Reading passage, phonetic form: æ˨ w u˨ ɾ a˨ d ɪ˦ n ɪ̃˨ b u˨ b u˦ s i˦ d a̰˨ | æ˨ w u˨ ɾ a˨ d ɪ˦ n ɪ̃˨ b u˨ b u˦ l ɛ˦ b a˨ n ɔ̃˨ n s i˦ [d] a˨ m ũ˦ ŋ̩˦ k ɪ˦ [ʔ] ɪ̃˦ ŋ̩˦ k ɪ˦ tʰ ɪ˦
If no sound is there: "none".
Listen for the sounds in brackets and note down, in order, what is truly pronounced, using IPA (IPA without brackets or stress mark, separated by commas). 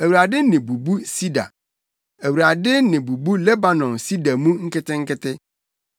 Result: d, t